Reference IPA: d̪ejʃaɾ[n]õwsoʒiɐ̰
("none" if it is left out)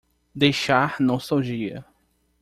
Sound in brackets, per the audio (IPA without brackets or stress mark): n